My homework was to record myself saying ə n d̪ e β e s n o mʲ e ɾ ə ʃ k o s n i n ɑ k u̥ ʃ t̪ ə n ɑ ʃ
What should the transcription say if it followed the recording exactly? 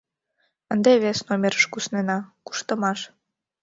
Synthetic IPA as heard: ə n d̪ e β e s n o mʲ e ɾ ə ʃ k u s n e n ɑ k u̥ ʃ t̪ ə m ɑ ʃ